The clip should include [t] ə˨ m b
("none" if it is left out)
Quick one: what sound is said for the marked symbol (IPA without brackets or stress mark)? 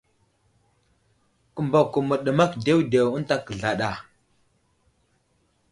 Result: k